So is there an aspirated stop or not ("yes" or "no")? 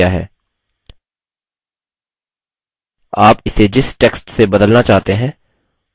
no